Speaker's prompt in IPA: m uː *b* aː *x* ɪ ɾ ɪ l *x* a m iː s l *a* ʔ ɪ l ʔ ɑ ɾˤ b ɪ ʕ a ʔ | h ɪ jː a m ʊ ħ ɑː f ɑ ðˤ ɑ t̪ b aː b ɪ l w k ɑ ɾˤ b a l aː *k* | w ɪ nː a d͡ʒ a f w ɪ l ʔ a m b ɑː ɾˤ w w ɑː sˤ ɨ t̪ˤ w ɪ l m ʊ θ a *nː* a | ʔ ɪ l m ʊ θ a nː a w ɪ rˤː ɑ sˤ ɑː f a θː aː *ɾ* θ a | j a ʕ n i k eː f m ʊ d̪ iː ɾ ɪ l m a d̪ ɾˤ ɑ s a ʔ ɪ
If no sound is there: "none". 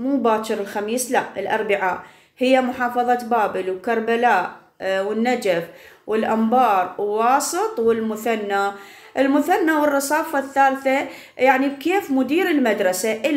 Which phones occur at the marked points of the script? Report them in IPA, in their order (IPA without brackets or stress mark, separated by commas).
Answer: b, ʃ, x, a, ʔ, nː, l